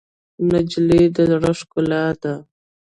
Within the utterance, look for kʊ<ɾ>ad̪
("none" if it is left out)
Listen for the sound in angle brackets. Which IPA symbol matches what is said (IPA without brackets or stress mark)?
l